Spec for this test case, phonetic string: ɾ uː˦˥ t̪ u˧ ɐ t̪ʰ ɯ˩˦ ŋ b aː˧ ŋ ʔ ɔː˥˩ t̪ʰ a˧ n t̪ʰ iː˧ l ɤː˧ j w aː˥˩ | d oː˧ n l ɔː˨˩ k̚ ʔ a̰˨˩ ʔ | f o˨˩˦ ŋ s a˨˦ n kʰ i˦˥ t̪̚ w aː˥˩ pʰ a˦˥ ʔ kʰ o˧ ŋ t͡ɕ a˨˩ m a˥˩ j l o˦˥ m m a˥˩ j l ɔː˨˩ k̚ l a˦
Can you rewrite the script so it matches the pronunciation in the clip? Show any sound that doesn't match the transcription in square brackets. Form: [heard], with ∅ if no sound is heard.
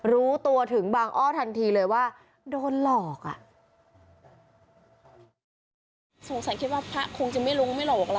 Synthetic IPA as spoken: ɾ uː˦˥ t̪ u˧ ɐ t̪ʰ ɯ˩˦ ŋ b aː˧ ŋ ʔ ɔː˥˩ t̪ʰ a˧ n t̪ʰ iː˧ l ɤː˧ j w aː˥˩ | d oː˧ n l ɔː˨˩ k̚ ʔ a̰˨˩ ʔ | [s] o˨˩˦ ŋ s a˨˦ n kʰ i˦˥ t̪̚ w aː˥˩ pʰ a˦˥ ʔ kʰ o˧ ŋ t͡ɕ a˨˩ m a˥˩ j l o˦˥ [ŋ] m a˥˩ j l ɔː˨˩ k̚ l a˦